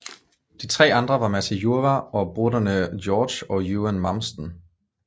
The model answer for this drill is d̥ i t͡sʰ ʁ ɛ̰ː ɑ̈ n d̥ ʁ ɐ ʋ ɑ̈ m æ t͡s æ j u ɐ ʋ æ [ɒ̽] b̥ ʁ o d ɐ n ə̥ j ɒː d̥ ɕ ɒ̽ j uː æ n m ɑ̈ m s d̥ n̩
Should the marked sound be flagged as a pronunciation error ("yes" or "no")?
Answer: no